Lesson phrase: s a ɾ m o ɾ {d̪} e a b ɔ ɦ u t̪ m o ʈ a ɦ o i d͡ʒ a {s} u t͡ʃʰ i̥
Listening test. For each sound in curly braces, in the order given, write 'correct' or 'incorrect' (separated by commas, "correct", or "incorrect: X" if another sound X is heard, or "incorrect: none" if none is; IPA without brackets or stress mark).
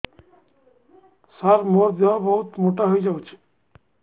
correct, incorrect: none